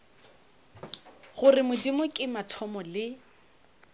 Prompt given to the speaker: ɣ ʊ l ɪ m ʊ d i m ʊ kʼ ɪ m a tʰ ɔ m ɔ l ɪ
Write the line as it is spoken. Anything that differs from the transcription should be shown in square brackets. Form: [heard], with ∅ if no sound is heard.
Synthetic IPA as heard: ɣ ʊ [r] ɪ m ʊ d i m ʊ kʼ ɪ m a tʰ ɔ m ɔ l ɪ